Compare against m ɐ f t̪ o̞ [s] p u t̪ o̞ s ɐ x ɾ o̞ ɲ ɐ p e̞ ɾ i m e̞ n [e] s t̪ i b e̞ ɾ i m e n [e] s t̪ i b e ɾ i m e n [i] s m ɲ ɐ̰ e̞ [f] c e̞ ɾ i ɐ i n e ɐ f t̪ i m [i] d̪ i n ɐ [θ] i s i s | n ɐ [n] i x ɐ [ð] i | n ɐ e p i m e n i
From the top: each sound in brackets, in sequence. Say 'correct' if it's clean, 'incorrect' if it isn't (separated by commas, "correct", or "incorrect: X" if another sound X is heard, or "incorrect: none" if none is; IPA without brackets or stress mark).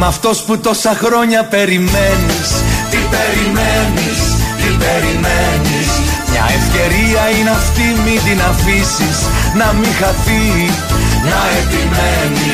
correct, incorrect: i, incorrect: i, correct, correct, correct, incorrect: f, incorrect: m, incorrect: θ